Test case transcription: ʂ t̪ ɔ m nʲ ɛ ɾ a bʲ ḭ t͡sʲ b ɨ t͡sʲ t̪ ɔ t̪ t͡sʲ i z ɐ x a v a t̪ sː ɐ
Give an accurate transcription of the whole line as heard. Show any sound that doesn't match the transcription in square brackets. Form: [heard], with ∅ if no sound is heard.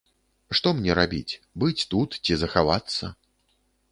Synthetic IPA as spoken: ʂ t̪ ɔ m nʲ ɛ ɾ a bʲ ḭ t͡sʲ b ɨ t͡sʲ t̪ [u] t̪ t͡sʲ i z ɐ x a v a t̪ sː ɐ

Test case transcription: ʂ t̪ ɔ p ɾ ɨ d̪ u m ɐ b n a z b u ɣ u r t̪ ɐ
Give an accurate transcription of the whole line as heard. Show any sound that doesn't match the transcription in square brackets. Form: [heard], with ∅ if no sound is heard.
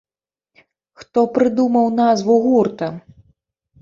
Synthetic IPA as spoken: [x] t̪ ɔ p ɾ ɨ d̪ u m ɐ [w] n a z [v] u ɣ u r t̪ ɐ

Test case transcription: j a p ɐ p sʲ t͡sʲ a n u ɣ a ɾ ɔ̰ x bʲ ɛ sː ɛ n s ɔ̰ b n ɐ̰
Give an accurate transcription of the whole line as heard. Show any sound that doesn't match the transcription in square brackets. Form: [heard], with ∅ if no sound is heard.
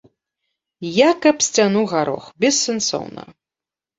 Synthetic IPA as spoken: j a [k] ɐ p sʲ t͡sʲ a n u ɣ a ɾ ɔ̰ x bʲ ɛ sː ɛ n s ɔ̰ [w] n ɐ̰

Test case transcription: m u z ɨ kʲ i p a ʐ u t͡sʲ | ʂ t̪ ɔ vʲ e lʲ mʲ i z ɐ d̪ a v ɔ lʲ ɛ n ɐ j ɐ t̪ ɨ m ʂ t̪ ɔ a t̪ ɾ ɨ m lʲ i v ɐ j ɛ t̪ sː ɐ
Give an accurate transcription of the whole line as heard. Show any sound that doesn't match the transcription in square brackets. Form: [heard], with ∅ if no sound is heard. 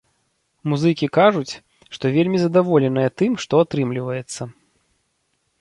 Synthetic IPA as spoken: m u z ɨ kʲ i [k] a ʐ u t͡sʲ | ʂ t̪ ɔ vʲ e lʲ mʲ i z ɐ d̪ a v ɔ lʲ ɛ n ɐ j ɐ t̪ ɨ m ʂ t̪ ɔ a t̪ ɾ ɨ m lʲ i v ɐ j ɛ t̪ sː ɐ

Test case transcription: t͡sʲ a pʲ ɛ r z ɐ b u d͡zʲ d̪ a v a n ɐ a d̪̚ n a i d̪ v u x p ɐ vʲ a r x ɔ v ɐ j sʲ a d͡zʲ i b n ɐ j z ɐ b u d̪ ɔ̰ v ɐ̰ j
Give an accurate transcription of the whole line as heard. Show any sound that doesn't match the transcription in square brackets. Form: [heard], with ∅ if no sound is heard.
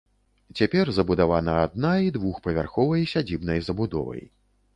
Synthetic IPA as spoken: t͡sʲ a pʲ ɛ r z ɐ b u [∅] d̪ a v a n ɐ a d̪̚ n a i d̪ v u x p ɐ vʲ a r x ɔ v ɐ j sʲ a d͡zʲ i b n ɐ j z ɐ b u d̪ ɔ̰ v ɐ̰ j

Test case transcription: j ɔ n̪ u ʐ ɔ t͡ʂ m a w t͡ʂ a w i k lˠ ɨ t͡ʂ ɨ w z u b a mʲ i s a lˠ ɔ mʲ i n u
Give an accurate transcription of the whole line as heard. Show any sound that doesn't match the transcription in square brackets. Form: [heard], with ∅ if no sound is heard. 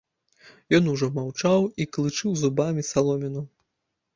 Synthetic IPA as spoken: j ɔ n̪ u ʐ ɔ [∅] m a w t͡ʂ a w i k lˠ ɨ t͡ʂ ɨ w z u b a mʲ i s a lˠ ɔ mʲ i n u

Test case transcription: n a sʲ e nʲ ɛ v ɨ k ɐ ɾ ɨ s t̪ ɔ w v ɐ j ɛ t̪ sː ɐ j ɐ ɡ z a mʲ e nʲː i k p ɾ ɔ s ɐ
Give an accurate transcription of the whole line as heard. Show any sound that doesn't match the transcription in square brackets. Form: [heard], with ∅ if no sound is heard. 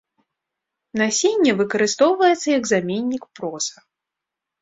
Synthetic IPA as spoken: n a sʲ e [nʲː] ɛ v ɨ k ɐ ɾ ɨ s t̪ ɔ w v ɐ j ɛ t̪ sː ɐ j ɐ ɡ z a mʲ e nʲː i k p ɾ ɔ s ɐ

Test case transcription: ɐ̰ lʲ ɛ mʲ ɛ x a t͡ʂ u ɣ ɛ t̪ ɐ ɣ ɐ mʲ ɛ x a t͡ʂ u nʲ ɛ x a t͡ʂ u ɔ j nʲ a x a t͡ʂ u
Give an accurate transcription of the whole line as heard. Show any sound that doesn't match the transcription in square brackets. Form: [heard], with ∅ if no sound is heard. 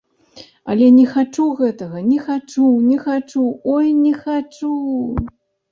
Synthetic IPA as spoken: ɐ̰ lʲ ɛ [nʲ] ɛ x a t͡ʂ u ɣ ɛ t̪ ɐ ɣ ɐ [nʲ] ɛ x a t͡ʂ u nʲ ɛ x a t͡ʂ u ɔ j nʲ [ɛ] x a t͡ʂ u

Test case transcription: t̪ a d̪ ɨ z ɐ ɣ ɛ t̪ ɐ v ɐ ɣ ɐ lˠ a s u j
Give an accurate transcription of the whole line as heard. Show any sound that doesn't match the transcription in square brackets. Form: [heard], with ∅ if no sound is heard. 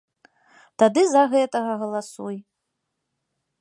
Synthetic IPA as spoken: t̪ a d̪ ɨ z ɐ ɣ ɛ t̪ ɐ [ɣ] ɐ ɣ ɐ lˠ a s u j

